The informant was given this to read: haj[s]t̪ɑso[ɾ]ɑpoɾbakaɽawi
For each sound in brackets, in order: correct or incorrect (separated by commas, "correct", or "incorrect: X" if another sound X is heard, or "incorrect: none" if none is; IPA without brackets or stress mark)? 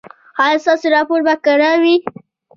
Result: correct, correct